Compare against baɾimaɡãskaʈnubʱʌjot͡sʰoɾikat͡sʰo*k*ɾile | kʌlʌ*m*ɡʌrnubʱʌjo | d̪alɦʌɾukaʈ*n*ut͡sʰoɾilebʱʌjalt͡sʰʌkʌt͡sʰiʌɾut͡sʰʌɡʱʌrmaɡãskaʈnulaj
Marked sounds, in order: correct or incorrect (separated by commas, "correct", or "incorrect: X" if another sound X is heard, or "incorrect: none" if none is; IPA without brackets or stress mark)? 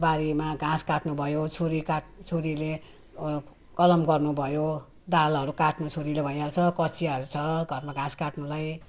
incorrect: none, correct, correct